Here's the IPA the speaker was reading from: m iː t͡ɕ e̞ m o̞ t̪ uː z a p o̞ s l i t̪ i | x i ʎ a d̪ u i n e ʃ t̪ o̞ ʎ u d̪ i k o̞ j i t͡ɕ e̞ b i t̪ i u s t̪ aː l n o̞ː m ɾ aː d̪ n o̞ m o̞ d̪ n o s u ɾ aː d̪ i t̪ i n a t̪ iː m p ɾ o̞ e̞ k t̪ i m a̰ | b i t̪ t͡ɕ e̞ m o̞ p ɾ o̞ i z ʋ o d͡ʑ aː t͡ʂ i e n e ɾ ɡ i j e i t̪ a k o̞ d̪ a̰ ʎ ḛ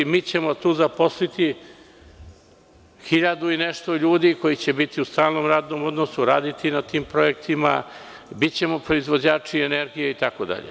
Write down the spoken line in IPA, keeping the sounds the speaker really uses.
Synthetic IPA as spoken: m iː t͡ɕ e̞ m o̞ t̪ uː z a p o̞ s l i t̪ i | x i ʎ a d̪ u i n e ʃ t̪ o̞ ʎ uː d̪ i k o̞ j i t͡ɕ e̞ b i t̪ i u s t̪ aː l n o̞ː m ɾ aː d̪ n o̞ m o̞ d̪ n o s u ɾ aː d̪ i t̪ i n a t̪ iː m p ɾ o̞ e̞ k t̪ i m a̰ | b i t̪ t͡ɕ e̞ m o̞ p ɾ o̞ i z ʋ o d͡ʑ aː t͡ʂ i e n e ɾ ɡ i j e i t̪ a k o̞ d̪ a̰ ʎ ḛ